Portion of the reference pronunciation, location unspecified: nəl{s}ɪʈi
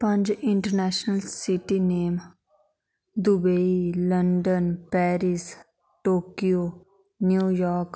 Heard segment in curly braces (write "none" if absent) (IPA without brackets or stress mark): s